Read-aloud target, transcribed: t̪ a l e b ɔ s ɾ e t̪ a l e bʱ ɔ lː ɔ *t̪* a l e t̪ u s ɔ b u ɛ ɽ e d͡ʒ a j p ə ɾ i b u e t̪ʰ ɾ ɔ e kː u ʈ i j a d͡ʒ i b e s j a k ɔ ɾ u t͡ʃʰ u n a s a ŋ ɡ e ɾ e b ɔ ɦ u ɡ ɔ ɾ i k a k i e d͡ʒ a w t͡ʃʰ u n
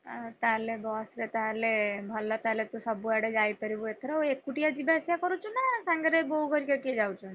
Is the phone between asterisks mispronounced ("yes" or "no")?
no